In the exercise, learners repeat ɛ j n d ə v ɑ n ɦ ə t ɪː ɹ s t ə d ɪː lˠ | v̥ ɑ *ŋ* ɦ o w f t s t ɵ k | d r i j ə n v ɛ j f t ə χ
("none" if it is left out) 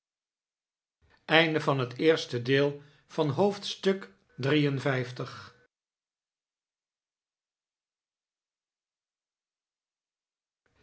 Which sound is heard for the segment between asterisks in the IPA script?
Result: n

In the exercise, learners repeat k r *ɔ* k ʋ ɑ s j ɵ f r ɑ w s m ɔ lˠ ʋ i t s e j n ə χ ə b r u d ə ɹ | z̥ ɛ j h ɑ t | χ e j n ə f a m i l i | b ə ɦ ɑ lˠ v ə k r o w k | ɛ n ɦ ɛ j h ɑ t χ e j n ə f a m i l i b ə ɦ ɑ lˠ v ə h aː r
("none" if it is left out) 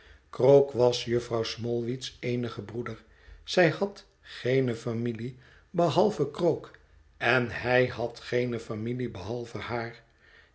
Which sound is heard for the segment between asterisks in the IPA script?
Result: o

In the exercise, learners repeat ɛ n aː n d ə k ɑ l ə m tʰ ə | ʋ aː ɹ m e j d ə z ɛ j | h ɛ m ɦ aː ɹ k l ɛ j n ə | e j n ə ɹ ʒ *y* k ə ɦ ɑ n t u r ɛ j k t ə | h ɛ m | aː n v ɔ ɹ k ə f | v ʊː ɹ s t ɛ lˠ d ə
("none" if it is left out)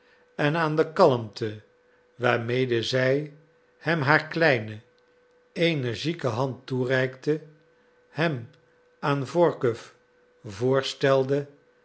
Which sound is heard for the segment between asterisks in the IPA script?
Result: i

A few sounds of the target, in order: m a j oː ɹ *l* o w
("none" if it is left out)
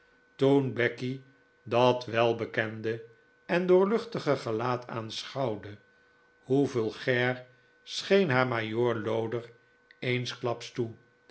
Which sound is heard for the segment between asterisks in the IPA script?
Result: l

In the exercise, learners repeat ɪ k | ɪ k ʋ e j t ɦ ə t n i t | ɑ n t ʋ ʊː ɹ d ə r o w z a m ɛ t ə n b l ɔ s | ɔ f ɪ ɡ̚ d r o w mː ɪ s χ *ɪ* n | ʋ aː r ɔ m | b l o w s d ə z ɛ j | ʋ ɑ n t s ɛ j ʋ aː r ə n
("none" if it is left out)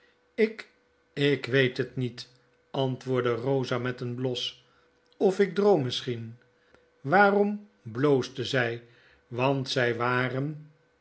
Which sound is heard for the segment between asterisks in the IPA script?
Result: i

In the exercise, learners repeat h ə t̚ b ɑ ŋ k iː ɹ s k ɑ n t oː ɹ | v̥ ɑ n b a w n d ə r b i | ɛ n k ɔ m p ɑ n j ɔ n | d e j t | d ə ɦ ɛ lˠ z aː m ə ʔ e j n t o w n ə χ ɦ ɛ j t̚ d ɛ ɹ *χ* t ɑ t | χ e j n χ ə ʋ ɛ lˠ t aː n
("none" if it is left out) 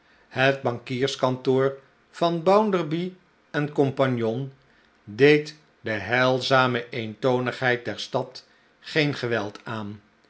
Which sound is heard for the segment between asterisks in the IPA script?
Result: s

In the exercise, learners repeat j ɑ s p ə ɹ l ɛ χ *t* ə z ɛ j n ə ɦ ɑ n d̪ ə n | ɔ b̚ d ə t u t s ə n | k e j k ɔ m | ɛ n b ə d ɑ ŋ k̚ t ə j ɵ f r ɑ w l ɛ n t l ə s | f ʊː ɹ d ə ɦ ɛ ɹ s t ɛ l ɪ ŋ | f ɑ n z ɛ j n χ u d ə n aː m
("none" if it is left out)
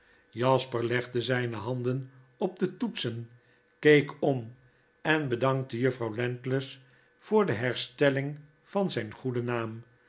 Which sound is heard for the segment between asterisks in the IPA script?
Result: d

